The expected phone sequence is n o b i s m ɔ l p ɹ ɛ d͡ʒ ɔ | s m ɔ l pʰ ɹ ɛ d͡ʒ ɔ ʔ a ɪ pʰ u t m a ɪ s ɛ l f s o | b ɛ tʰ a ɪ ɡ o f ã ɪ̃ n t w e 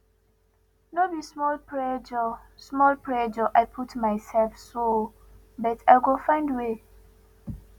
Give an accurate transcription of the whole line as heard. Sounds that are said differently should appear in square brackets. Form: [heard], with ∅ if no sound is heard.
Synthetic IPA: n o b i s m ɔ l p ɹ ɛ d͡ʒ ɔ | s m ɔ l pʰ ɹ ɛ d͡ʒ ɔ ʔ a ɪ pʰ u t m a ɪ s ɛ l f s o | b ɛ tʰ a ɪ ɡ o f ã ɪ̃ n [d] w e